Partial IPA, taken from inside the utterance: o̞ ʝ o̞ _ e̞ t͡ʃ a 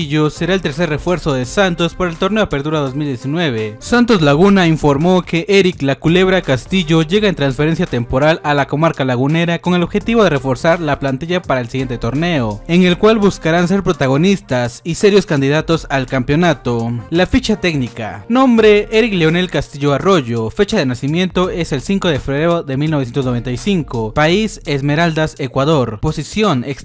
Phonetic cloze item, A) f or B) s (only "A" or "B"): A